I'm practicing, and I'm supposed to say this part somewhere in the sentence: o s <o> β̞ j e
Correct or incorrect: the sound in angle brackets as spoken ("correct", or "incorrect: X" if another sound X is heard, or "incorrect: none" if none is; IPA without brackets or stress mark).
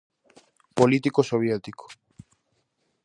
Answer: correct